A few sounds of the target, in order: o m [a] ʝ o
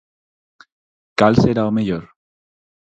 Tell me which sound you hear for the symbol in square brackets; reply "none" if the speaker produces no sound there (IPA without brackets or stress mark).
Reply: e